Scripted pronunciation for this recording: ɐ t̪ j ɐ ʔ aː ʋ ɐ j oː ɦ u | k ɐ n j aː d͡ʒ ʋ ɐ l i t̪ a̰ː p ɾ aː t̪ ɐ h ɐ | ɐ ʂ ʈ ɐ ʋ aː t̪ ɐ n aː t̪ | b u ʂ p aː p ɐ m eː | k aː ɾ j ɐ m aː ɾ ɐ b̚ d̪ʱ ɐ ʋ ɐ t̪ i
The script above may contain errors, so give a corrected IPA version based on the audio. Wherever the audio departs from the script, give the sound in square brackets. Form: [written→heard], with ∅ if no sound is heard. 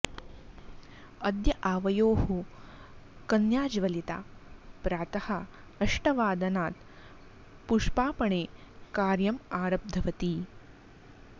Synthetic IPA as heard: ɐ [t̪→d̪] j ɐ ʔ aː ʋ ɐ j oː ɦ u | k ɐ n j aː d͡ʒ ʋ ɐ l i t̪ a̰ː p ɾ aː t̪ ɐ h ɐ | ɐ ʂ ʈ ɐ ʋ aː [t̪→d̪] ɐ n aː t̪ | [b→p] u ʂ p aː p ɐ [m→ɳ] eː | k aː ɾ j ɐ m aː ɾ ɐ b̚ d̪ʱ ɐ ʋ ɐ t̪ i

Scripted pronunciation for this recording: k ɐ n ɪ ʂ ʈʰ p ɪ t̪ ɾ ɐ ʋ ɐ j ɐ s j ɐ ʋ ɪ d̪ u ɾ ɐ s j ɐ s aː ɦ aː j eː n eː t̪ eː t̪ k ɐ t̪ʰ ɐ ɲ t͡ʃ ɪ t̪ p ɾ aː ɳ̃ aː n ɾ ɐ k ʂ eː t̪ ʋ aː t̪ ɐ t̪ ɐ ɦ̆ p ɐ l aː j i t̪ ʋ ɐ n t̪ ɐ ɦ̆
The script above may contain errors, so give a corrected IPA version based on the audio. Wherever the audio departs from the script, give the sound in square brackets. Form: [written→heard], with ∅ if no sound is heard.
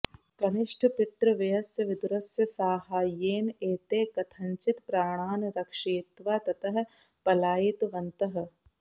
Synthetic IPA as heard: k ɐ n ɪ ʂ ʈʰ p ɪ t̪ ɾ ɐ ʋ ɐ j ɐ s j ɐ ʋ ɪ d̪ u ɾ ɐ s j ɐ s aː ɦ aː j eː n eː t̪ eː [t̪→∅] k ɐ t̪ʰ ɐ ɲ t͡ʃ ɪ t̪ p ɾ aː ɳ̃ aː n ɾ ɐ k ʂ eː t̪ ʋ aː t̪ ɐ t̪ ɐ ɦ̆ p ɐ l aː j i t̪ ʋ ɐ n t̪ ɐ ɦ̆

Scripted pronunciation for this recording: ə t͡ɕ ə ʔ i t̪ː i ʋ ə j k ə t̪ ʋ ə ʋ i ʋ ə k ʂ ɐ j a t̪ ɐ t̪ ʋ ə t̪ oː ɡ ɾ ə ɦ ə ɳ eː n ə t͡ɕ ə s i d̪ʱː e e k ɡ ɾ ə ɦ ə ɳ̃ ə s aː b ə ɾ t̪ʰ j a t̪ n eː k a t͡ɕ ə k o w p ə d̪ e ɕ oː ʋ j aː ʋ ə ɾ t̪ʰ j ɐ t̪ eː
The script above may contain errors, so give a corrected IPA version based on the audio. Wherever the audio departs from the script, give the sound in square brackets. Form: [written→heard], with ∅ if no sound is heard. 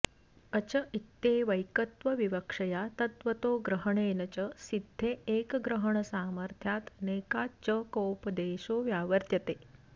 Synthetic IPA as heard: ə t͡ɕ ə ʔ i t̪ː [i→e] ʋ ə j k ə t̪ ʋ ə ʋ i ʋ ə k ʂ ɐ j a t̪ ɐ t̪ ʋ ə t̪ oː ɡ ɾ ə ɦ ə ɳ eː n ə t͡ɕ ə s i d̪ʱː e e k ɡ ɾ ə ɦ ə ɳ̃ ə s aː [b→m] ə ɾ t̪ʰ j a t̪ n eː k a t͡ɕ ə k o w p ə d̪ e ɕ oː ʋ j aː ʋ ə ɾ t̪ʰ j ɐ t̪ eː

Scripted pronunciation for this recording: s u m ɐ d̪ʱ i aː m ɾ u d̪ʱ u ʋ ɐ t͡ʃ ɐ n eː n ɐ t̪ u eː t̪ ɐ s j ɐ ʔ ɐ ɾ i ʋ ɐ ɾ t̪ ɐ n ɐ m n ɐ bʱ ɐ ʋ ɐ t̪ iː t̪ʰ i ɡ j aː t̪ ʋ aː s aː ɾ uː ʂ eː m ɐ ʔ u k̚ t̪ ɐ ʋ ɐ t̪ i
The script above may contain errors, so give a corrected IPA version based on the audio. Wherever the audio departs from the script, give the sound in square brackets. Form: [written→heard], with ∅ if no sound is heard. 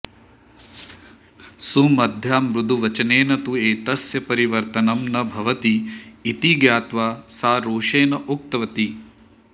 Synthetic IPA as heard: s u m ɐ d̪ʱ [i→j] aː m ɾ u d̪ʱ u ʋ ɐ t͡ʃ ɐ n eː n ɐ t̪ u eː t̪ ɐ s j ɐ [ʔ→p] ɐ ɾ i ʋ ɐ ɾ t̪ ɐ n ɐ m n ɐ bʱ ɐ ʋ ɐ t̪ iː [t̪ʰ→t̪] i ɡ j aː t̪ ʋ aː s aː ɾ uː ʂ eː [m→n] ɐ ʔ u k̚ t̪ ɐ ʋ ɐ t̪ i

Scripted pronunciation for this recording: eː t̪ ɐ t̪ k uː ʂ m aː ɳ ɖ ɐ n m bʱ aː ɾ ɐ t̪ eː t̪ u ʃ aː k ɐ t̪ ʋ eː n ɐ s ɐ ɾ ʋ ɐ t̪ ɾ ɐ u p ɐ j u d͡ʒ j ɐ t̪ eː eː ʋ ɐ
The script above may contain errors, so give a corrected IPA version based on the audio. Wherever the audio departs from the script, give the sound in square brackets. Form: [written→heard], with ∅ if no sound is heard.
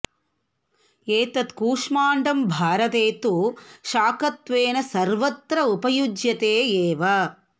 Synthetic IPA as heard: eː t̪ ɐ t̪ k uː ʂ m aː ɳ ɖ ɐ [n→∅] m bʱ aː ɾ ɐ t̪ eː t̪ u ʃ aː k ɐ t̪ ʋ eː n ɐ s ɐ ɾ ʋ ɐ t̪ ɾ ɐ u p ɐ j u d͡ʒ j ɐ t̪ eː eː ʋ ɐ

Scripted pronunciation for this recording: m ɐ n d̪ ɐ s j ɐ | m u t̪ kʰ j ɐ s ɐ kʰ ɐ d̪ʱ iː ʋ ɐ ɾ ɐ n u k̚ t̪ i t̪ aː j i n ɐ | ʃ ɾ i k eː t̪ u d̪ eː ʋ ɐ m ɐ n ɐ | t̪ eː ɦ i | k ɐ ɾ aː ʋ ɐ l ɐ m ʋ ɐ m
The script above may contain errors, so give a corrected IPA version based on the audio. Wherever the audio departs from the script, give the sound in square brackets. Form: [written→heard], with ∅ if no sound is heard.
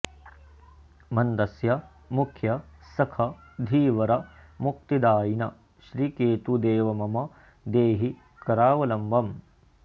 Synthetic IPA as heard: m ɐ n d̪ ɐ s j ɐ | m u [t̪→∅] kʰ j ɐ s ɐ kʰ ɐ d̪ʱ iː ʋ ɐ ɾ ɐ [n→m] u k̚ t̪ i [t̪→d̪] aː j i n ɐ | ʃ ɾ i k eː t̪ u d̪ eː ʋ ɐ m ɐ [n→m] ɐ | [t̪→d̪] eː ɦ i | k ɐ ɾ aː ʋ ɐ l ɐ m ʋ ɐ m

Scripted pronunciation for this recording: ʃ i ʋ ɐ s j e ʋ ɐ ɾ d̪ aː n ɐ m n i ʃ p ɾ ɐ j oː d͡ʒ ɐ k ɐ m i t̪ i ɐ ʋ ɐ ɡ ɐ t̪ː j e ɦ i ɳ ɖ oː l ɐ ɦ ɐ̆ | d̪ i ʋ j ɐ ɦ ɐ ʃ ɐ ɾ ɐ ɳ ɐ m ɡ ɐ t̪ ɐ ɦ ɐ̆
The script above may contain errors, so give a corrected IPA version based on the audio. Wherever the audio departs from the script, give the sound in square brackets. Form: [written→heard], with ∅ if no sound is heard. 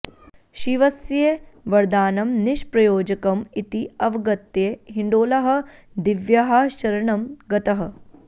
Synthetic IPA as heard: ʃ i ʋ ɐ s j e ʋ ɐ ɾ d̪ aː n ɐ m n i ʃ p ɾ ɐ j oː d͡ʒ ɐ k ɐ m i t̪ i ɐ ʋ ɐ ɡ ɐ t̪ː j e ɦ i ɳ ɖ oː l ɐ ɦ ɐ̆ | d̪ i ʋ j ɐ ɦ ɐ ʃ ɐ ɾ ɐ ɳ ɐ m ɡ ɐ t̪ ɐ ɦ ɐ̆

